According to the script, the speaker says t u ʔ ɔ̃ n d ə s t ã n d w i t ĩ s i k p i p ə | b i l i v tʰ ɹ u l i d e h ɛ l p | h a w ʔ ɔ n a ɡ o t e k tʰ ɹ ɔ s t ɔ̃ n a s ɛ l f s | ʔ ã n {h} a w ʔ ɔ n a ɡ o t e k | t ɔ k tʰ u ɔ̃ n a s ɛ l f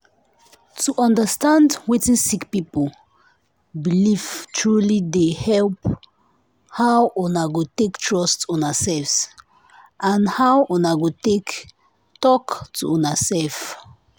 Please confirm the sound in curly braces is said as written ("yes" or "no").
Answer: yes